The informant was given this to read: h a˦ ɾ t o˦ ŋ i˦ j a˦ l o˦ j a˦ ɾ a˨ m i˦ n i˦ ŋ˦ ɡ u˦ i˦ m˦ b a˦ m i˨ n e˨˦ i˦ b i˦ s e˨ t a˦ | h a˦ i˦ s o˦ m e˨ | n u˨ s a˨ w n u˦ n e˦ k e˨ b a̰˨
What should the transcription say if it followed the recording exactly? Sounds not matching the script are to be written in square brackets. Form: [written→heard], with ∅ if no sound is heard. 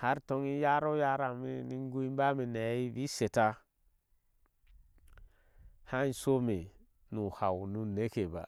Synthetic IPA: h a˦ ɾ t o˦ ŋ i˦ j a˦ [l→ɾ] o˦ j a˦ ɾ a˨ m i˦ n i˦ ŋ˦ ɡ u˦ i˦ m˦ b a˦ m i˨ n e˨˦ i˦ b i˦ s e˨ t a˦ | h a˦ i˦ s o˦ m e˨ | n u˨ [s→h] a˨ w n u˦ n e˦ k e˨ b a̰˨